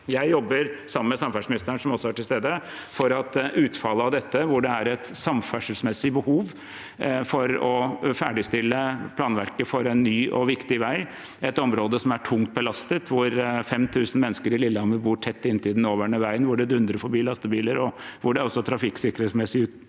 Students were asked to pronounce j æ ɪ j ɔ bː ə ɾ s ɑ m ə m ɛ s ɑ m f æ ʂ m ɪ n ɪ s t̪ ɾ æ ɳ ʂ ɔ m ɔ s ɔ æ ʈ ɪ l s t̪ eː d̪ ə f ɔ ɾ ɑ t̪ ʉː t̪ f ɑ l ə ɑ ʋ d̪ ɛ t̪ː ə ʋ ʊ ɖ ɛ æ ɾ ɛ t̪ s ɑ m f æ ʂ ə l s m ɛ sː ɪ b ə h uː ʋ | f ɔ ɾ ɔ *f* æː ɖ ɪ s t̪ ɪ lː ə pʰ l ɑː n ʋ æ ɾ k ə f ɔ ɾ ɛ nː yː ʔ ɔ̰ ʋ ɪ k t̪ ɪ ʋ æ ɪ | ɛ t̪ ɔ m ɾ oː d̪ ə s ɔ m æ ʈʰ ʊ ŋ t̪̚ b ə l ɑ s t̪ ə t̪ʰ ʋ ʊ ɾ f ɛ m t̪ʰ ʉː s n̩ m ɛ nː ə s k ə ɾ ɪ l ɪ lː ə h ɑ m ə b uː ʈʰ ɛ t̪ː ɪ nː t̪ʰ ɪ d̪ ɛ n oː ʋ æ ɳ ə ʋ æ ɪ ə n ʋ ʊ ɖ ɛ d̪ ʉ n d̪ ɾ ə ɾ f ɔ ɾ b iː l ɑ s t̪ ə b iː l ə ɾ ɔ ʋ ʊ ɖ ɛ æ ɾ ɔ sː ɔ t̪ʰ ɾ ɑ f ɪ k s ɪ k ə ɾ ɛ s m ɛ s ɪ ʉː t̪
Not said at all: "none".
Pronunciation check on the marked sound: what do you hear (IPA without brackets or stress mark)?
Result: f